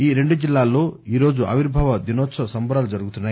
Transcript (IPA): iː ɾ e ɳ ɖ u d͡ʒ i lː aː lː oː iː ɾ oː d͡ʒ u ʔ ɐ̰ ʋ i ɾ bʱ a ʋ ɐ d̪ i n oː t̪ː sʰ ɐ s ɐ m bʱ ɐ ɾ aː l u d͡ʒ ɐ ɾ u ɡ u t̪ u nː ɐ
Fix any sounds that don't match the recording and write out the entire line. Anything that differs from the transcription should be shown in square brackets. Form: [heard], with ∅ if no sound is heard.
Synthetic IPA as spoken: iː ɾ e ɳ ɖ u d͡ʒ i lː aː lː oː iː ɾ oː d͡ʒ u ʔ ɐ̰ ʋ i ɾ bʱ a ʋ ɐ d̪ i n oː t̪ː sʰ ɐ s ɐ m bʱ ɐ ɾ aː l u d͡ʒ ɐ ɾ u ɡ u t̪ u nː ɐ